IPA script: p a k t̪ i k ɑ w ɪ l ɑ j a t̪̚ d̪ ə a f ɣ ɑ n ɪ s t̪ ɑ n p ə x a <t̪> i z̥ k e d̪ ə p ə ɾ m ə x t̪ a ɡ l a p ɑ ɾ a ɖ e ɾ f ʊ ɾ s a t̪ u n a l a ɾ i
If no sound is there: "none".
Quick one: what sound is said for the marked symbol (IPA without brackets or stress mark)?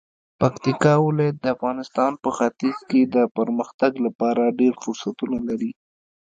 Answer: t̪